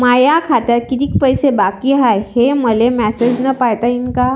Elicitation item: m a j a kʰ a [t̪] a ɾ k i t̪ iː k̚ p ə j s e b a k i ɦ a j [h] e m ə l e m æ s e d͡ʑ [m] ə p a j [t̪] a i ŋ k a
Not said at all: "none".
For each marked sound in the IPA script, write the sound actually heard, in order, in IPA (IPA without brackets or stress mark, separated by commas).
t̪, h, n, t̪